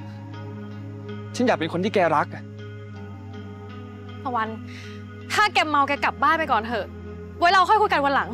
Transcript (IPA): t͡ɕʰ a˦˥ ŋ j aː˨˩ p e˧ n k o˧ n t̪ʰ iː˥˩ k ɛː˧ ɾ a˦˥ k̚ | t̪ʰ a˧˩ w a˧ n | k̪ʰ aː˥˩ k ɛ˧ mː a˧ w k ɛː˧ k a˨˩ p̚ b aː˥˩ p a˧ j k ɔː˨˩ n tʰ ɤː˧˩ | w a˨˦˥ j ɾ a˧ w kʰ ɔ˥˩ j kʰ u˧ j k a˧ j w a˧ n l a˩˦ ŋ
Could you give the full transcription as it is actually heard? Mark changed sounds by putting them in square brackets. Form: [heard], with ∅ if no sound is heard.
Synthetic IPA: t͡ɕʰ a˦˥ [n] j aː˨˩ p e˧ n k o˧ n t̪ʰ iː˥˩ k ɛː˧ ɾ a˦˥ k̚ | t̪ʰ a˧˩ w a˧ n | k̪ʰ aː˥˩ k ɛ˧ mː a˧ w k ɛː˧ k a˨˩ p̚ b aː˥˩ p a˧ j k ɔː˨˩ n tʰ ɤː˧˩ | w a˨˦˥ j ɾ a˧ w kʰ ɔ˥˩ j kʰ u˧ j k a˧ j w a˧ n l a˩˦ ŋ